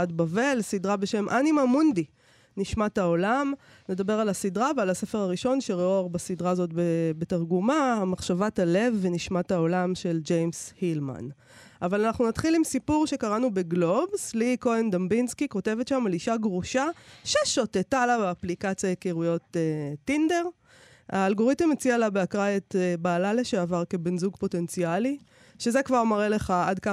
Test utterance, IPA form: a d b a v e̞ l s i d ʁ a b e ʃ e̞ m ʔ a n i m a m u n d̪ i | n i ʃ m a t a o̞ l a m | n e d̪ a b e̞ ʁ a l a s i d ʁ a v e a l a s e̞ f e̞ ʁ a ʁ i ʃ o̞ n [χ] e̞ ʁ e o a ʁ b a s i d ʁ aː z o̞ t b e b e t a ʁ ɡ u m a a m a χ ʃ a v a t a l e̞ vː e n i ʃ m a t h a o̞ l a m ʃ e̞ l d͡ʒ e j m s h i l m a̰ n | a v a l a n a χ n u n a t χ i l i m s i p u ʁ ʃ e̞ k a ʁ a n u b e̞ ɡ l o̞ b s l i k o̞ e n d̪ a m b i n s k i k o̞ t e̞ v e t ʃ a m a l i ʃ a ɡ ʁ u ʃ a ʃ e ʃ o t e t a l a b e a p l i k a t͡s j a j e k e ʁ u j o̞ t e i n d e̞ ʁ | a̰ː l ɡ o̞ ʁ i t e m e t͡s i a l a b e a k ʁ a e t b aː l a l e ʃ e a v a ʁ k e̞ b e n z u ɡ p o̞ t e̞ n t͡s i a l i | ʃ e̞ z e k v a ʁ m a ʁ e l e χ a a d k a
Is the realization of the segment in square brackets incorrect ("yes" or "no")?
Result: yes